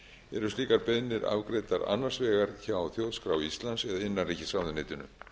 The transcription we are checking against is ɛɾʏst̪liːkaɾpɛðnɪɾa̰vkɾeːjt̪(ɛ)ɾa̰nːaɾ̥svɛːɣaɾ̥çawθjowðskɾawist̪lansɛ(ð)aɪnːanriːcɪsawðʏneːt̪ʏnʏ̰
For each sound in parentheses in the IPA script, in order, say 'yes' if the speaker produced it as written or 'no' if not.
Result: no, yes

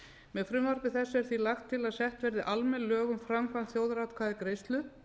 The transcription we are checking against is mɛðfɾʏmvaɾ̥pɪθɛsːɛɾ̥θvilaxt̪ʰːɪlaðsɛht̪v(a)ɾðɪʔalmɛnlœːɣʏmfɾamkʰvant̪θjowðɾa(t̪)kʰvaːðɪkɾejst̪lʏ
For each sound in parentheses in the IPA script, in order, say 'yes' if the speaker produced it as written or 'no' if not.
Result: no, yes

